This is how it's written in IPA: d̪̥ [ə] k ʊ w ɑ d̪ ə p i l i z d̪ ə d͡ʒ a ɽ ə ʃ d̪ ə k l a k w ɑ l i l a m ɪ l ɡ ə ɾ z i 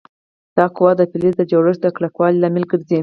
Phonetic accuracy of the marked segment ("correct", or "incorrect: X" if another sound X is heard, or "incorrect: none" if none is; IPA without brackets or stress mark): incorrect: ɑ